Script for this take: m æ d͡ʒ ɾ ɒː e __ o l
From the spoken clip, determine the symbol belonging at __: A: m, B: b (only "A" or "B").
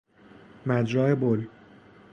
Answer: B